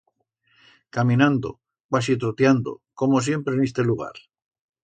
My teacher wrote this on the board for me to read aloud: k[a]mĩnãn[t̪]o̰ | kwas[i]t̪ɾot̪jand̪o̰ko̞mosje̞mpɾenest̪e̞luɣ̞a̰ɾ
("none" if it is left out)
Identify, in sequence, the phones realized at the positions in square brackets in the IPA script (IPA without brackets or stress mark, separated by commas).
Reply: a, d̪, i